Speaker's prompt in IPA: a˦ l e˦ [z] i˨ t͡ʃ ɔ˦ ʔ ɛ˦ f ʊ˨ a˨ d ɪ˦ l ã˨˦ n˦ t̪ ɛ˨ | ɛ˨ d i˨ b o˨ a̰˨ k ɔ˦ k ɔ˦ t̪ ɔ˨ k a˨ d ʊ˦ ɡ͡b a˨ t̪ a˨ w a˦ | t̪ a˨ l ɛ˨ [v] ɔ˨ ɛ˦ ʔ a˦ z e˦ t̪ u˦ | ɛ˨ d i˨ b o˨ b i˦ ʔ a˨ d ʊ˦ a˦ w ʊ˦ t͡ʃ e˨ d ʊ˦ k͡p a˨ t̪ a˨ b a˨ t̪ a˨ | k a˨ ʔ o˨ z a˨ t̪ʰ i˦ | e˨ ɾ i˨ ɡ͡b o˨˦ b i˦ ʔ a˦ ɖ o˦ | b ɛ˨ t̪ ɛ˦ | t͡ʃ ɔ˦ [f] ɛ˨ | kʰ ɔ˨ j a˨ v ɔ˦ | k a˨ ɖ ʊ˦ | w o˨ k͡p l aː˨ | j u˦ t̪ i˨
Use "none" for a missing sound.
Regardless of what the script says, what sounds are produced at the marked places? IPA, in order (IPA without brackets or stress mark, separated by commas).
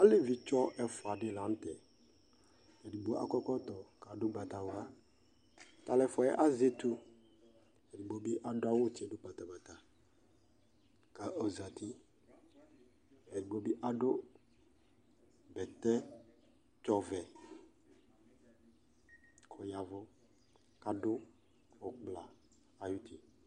v, f, v